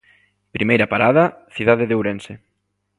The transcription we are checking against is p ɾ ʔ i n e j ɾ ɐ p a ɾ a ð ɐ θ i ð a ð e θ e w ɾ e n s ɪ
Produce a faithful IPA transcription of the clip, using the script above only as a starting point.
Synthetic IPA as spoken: p ɾ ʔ i m e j ɾ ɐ p a ɾ a ð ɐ θ i ð a ð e ð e w ɾ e n s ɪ

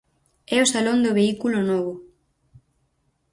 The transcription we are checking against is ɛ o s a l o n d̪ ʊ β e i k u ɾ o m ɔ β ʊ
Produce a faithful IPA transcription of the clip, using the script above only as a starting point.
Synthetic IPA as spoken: ɛ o s a l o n d̪ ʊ β e i k u l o n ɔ β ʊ

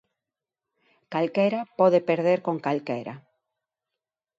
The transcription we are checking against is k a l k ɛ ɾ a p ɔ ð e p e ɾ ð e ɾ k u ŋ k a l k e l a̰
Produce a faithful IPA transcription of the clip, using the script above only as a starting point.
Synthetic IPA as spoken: k a l k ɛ ɾ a p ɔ ð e p e ɾ ð e ɾ k o ŋ k a l k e ɾ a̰

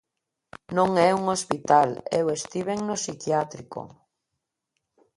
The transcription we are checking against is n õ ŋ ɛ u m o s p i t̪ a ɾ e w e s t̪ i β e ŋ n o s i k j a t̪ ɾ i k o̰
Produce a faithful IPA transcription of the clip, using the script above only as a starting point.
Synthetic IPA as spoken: n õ ŋ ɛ u ŋ o s p i t̪ a l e w e s t̪ i β e ŋ n o s i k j a t̪ ɾ i k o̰

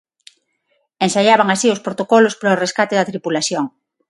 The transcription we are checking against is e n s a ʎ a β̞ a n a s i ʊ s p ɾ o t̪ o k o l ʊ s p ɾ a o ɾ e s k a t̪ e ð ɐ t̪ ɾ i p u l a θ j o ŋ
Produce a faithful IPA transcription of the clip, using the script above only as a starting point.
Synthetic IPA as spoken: e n s a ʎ a β̞ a ŋ a s i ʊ s p ɾ o t̪ o k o l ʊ s p ɾ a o r e s k a t̪ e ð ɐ t̪ ɾ i p u l a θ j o ŋ

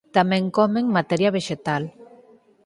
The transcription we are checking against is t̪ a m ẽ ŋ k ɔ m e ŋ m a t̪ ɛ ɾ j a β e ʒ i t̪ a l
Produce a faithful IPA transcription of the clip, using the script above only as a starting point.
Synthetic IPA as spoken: t̪ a m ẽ ŋ k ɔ m e ŋ m a t̪ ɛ ɾ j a β e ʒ e t̪ a l

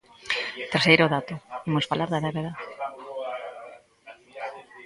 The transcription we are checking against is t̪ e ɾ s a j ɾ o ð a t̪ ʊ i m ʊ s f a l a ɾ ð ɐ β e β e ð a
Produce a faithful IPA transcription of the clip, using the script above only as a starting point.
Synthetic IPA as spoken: t̪ e ɾ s e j ɾ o ð a t̪ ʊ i m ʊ s f a l a ɾ ð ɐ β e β e ð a

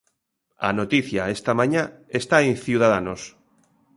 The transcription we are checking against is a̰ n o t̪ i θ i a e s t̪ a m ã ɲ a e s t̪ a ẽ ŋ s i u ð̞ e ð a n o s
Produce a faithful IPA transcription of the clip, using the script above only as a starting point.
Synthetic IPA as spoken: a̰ n o t̪ i θ j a e s t̪ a m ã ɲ a e s t̪ a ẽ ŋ θ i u ð̞ a ð a n o s

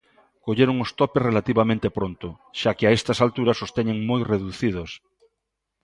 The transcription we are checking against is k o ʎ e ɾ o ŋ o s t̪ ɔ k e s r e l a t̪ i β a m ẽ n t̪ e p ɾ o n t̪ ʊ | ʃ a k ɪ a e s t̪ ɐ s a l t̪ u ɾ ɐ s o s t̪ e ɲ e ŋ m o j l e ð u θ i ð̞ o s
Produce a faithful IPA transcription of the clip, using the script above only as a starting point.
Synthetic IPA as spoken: k o ʎ e ɾ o ŋ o s t̪ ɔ p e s r e l a t̪ i β a m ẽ n t̪ e p ɾ o n t̪ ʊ | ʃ a k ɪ a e s t̪ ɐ s a l t̪ u ɾ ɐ s o s t̪ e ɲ e ŋ m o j r e ð u θ i ð̞ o s

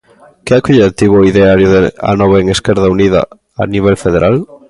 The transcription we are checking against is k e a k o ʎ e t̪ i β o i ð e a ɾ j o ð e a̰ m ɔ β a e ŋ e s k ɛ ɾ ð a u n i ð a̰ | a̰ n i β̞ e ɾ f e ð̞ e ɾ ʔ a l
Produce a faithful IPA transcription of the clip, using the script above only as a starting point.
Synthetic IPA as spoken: k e a k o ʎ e t̪ i β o i ð e a ɾ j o ð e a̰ n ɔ β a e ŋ e s k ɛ ɾ ð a u n i ð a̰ | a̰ n i β̞ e l f e ð̞ e ɾ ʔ a l

